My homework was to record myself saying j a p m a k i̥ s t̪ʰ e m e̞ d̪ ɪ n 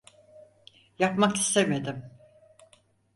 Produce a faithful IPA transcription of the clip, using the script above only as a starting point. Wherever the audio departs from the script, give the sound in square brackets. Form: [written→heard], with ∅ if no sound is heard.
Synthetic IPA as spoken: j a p m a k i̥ s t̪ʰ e m e̞ d̪ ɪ [n→m]